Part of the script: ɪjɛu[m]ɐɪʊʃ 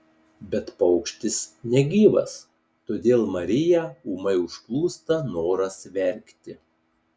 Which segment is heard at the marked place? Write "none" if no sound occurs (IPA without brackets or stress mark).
m